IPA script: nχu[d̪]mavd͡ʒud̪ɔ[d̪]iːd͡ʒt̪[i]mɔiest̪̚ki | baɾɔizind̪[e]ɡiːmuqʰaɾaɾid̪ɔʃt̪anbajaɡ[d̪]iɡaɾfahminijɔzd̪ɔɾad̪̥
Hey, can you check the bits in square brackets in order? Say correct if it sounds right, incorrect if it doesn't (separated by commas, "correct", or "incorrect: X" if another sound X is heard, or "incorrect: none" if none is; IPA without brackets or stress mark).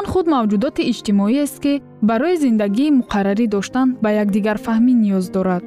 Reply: correct, incorrect: t̪, correct, incorrect: a, correct